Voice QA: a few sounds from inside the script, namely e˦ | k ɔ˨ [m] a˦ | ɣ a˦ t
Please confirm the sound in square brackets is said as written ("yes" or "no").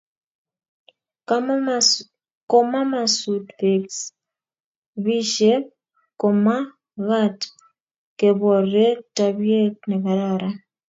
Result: yes